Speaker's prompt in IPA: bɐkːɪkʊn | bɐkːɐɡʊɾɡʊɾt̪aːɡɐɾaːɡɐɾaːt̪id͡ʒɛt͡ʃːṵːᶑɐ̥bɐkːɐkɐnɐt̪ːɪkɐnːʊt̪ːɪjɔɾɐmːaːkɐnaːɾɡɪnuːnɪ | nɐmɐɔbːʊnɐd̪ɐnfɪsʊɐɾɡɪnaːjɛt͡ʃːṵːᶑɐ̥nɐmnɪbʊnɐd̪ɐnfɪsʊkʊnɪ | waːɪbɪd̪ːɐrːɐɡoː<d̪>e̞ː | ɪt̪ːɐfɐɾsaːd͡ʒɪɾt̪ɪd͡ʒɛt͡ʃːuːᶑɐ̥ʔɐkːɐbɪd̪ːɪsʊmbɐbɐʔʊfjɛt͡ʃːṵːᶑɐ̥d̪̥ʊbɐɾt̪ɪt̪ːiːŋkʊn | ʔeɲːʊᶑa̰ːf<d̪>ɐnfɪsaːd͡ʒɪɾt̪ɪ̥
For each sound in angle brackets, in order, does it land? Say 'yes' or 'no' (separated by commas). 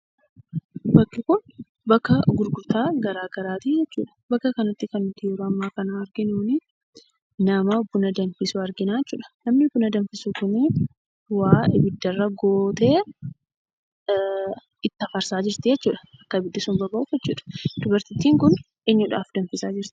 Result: no, yes